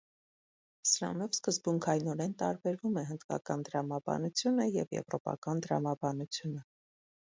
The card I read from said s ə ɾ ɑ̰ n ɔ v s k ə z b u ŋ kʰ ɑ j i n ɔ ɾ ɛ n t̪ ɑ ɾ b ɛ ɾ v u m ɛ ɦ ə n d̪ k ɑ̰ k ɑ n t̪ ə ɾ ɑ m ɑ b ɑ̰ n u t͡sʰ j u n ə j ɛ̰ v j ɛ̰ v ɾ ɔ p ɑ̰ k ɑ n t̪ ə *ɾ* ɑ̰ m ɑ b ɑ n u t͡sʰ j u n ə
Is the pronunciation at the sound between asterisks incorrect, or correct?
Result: correct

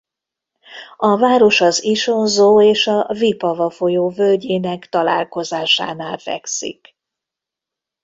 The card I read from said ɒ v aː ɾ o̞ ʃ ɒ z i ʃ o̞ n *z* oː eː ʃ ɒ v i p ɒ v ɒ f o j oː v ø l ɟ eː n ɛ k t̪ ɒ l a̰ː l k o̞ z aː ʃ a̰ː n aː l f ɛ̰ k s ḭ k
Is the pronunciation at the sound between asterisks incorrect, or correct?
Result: correct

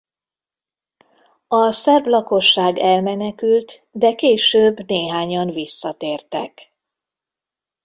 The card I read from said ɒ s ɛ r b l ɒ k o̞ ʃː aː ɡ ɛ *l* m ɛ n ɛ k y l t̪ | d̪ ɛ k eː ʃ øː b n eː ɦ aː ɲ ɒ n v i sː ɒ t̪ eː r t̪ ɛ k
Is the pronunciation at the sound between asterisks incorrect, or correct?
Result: correct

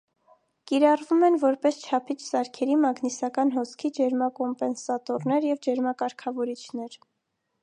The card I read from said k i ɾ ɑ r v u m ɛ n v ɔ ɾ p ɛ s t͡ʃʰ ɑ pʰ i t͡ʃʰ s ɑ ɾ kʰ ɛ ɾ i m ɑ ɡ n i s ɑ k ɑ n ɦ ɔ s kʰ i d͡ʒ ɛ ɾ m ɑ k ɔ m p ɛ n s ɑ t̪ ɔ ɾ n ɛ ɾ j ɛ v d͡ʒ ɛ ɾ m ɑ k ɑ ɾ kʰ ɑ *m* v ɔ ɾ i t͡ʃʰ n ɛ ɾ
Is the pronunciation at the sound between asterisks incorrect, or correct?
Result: incorrect: none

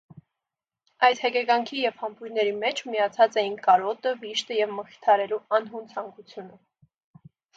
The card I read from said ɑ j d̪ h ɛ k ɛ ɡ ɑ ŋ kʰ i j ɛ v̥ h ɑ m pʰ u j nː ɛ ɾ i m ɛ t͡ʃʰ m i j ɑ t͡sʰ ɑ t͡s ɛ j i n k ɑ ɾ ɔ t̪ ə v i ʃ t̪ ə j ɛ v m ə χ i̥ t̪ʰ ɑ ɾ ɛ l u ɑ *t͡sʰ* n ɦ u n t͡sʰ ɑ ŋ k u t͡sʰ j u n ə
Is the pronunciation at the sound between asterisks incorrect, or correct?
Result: incorrect: none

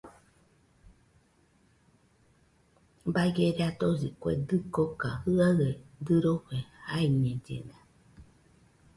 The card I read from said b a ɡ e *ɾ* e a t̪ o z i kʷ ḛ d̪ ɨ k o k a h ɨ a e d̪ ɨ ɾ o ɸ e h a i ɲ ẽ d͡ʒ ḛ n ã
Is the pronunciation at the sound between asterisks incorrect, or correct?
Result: correct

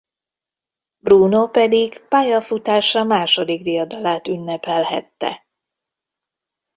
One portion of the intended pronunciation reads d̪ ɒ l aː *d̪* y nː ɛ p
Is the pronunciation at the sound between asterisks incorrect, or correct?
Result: incorrect: t̪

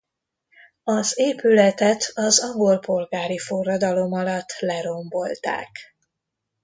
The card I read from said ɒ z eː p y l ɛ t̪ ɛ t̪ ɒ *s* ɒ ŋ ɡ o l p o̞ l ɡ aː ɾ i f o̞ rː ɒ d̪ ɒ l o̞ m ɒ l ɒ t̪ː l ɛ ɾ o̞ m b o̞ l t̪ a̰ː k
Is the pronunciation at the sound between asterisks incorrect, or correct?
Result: incorrect: z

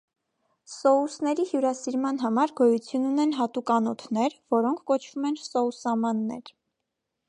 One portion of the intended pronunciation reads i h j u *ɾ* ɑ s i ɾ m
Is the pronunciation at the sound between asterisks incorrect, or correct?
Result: correct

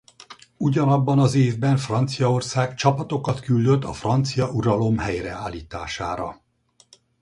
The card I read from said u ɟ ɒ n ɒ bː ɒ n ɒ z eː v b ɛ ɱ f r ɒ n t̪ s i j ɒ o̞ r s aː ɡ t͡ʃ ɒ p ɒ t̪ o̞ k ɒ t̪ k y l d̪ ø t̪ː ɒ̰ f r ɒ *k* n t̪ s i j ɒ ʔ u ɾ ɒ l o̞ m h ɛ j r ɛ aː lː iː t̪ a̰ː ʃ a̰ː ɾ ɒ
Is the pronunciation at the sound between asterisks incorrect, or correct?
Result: incorrect: none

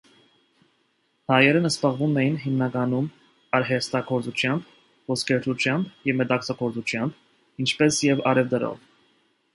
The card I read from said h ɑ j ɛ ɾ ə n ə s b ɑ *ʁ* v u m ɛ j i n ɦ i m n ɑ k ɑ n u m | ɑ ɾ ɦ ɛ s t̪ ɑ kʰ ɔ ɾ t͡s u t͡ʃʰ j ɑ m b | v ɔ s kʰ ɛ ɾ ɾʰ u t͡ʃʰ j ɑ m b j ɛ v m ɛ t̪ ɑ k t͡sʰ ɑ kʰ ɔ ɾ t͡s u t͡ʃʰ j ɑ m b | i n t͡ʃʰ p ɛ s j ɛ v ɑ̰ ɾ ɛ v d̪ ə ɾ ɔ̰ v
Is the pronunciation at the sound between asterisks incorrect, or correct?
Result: correct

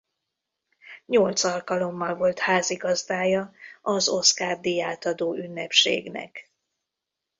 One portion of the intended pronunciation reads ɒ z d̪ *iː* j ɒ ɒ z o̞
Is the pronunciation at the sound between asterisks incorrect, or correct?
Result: incorrect: aː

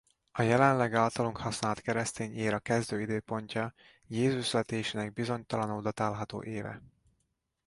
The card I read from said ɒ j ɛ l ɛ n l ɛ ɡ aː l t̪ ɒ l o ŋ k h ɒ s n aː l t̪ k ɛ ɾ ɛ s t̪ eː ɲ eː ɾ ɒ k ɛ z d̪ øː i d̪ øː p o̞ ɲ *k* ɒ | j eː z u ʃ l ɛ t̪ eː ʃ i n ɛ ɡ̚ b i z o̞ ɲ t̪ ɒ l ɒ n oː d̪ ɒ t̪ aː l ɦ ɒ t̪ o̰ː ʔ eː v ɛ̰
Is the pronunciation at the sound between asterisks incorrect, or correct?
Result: incorrect: c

